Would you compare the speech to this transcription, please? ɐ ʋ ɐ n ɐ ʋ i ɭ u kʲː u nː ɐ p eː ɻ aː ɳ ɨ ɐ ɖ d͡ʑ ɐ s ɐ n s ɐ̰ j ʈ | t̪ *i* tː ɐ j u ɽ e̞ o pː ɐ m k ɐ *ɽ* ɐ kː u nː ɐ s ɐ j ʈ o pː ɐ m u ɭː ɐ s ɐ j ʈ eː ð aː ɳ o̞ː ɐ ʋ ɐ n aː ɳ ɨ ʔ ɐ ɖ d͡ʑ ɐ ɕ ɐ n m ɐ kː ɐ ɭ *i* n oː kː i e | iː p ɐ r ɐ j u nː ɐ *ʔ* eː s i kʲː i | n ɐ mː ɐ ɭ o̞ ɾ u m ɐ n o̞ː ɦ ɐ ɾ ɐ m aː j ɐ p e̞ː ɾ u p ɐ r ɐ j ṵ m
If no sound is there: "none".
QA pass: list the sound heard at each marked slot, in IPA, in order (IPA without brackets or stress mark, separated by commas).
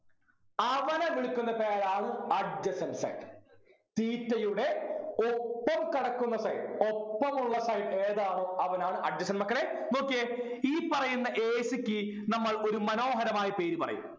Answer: iː, ɽ, e, ʔ